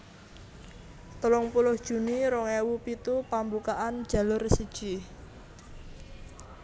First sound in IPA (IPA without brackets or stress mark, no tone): t̪